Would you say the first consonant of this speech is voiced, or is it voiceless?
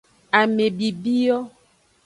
voiced